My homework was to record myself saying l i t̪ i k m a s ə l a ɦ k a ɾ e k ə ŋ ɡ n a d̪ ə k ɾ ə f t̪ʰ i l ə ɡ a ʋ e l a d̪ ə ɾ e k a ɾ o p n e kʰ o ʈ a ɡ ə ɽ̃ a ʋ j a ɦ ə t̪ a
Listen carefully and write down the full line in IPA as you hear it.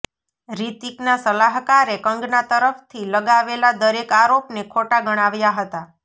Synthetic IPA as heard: ɾ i t̪ i k n a s ə l a ɦ k a ɾ e k ə ŋ ɡ n a t̪ ə ɾ ə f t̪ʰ i l ə ɡ a ʋ e l a d̪ ə ɾ e k a ɾ o p n e kʰ o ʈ a ɡ ə ɽ̃ a ʋ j a ɦ ə t̪ a

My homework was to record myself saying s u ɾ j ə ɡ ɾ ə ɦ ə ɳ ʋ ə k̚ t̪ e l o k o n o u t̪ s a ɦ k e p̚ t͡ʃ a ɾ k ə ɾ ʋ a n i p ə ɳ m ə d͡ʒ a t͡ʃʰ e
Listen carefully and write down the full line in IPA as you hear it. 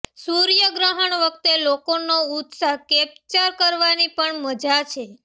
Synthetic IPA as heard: s u ɾ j ə ɡ ɾ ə ɦ ə ɳ ʋ ə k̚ t̪ e l o k o n o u t̪ s a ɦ k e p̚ t͡ʃ a ɾ k ə ɾ ʋ a n i p ə ɳ m ə d͡ʒ a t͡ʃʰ e

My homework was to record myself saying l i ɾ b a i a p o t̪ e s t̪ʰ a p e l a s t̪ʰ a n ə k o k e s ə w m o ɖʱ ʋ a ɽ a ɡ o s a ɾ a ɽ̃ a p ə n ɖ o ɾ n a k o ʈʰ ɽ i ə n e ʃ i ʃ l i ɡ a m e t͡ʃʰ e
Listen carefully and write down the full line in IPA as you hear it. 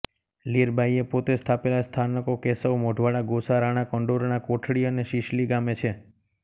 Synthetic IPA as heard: l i ɾ b a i e p o t̪ e s t̪ʰ a p e l a s t̪ʰ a n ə k o k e s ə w m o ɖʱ ʋ a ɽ a ɡ o s a ɾ a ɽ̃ a k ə ɳ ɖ o ɾ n a k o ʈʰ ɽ i ə n e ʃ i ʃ l i ɡ a m e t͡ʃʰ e

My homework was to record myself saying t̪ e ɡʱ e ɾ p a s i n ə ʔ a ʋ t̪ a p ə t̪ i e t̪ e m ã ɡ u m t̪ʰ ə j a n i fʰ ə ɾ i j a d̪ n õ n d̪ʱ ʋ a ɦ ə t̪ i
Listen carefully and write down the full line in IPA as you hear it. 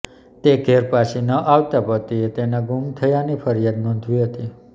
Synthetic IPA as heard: t̪ e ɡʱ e ɾ p a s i n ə ʔ a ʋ t̪ a p ə t̪ i e t̪ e n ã ɡ u m t̪ʰ ə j a n i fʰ ə ɾ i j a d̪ n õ n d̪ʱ ʋ i ɦ ə t̪ i

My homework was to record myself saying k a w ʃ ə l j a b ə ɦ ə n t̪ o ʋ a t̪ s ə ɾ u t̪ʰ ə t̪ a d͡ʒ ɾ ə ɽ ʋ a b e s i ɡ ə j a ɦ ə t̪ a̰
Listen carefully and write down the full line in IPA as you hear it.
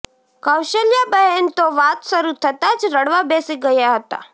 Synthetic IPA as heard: k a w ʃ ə l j a b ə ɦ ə n t̪ o ʋ a t̪ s ə ɾ u t̪ʰ ə t̪ a d͡ʒ ɾ ə ɽ ʋ a b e s i ɡ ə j a ɦ ə t̪ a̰

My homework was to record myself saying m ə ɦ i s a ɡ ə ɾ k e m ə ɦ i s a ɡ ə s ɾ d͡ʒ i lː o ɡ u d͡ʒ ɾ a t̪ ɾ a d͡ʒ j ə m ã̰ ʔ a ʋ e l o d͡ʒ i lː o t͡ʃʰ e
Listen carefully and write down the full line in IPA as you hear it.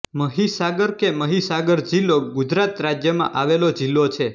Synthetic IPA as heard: m ə ɦ i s a ɡ ə ɾ k e m ə ɦ i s a ɡ ə ɾ d͡ʒ i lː o ɡ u d͡ʒ ɾ a t̪ ɾ a d͡ʒ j ə m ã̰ ʔ a ʋ e l o d͡ʒ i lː o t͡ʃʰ e

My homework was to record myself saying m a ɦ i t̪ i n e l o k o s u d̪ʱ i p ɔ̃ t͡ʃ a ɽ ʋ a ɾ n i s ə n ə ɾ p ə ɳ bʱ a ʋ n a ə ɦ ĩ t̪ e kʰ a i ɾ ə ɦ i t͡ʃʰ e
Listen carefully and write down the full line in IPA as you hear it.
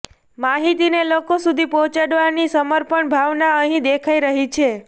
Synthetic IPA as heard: m a ɦ i t̪ i n e l o k o s u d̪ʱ i p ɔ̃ t͡ʃ a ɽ ʋ a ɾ n i s ə m ə ɾ p ə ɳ bʱ a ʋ n a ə ɦ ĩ d̪ e kʰ a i ɾ ə ɦ i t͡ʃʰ e

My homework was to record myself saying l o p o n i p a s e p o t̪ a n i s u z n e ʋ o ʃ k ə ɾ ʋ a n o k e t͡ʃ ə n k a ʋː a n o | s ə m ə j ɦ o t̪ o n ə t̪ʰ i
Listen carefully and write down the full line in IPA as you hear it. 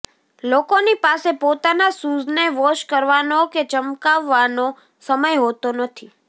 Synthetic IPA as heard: l o k o n i p a s e p o t̪ a n a s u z n e ʋ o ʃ k ə ɾ ʋ a n o k e t͡ʃ ə m k a ʋː a n o | s ə m ə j ɦ o t̪ o n ə t̪ʰ i

